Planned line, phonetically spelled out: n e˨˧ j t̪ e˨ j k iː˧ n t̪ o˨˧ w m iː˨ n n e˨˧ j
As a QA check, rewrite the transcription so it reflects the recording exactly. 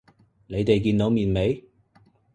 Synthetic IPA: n e˨˧ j t̪ e˨ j k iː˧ n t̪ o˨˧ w m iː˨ n m e˨˧ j

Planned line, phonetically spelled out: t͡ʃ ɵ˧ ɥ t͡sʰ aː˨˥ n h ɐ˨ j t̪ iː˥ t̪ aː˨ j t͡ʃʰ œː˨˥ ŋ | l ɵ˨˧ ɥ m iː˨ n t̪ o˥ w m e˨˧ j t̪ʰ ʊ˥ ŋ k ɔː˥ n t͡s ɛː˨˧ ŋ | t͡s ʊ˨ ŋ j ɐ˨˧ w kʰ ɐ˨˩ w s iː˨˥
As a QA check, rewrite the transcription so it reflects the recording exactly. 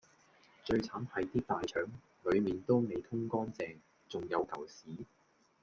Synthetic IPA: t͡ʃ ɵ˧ ɥ t͡sʰ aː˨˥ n h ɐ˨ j t̪ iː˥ t̪ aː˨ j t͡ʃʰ œː˨˥ ŋ | l ɵ˨˧ ɥ m iː˨ n t̪ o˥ w m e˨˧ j t̪ʰ ʊ˥ ŋ k ɔː˥ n t͡s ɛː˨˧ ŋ | t͡s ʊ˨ ŋ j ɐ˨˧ w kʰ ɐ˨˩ w s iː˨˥

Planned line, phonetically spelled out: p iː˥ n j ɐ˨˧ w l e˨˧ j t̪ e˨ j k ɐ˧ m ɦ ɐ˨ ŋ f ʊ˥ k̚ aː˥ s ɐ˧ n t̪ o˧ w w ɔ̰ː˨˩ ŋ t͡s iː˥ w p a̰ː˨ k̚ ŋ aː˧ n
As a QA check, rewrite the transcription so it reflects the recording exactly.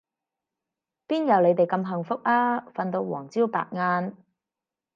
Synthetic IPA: p iː˥ n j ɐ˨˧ w l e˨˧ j t̪ e˨ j k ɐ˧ m ɦ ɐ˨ ŋ f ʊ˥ k̚ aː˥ f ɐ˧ n t̪ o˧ w w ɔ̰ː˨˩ ŋ t͡s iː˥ w p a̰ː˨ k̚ ŋ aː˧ n

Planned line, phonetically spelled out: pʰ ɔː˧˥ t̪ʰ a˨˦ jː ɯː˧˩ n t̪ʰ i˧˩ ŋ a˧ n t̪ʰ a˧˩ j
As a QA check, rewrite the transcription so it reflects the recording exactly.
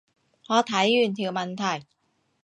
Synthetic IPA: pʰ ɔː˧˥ t̪ʰ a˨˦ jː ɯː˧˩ n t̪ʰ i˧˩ m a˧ n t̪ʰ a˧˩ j

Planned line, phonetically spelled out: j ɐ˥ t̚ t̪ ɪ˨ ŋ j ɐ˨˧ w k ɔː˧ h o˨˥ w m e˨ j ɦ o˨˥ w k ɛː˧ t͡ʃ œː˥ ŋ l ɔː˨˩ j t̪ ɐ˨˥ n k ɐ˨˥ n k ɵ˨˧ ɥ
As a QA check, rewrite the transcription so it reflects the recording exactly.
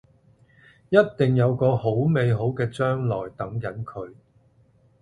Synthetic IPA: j ɐ˥ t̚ t̪ ɪ˨ ŋ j ɐ˨˧ w k ɔː˧ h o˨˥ w m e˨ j ɦ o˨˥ w k ɛː˧ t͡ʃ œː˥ ŋ l ɔː˨˩ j t̪ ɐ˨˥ ŋ k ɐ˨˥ n kʰ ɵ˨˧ ɥ

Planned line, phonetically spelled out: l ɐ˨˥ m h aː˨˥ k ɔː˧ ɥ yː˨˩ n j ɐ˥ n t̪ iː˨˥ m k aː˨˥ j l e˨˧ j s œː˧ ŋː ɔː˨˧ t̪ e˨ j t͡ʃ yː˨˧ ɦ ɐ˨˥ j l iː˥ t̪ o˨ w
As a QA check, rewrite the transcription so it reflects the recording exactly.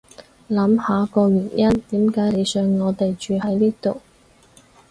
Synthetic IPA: l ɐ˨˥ m h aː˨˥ k ɔː˧ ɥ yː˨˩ n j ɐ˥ n t̪ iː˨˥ m k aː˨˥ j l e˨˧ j s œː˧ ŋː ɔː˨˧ t̪ e˨ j t͡ʃ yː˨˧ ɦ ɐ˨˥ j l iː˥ t̪ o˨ w

